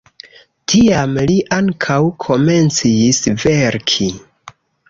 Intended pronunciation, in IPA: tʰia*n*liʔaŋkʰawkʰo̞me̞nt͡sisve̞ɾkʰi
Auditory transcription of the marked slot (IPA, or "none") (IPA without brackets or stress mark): m